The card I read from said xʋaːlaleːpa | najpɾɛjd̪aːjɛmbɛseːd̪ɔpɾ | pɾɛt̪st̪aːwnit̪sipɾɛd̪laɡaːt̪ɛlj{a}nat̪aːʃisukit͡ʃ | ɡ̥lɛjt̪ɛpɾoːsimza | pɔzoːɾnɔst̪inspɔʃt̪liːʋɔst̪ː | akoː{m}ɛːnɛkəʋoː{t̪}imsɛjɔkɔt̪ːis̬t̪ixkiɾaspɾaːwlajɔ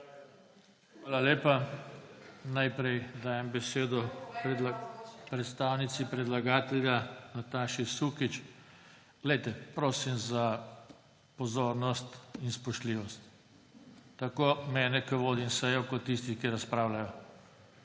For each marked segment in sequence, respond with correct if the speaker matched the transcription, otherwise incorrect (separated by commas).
correct, correct, incorrect